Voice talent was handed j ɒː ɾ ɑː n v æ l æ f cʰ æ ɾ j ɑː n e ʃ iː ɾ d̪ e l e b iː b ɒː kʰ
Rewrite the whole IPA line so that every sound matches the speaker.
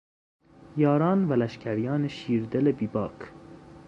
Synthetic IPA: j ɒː ɾ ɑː n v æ l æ ʃ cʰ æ ɾ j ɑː n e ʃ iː ɾ d̪ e l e b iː b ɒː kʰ